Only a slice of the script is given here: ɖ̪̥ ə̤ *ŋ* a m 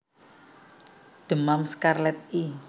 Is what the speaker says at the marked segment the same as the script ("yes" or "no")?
no